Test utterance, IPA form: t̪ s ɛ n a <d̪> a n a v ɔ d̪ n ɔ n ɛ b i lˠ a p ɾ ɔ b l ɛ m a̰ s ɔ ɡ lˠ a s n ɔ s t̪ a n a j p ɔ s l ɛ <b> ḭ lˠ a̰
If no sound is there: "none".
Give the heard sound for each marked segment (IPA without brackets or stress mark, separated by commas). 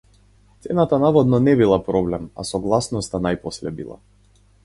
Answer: t̪, b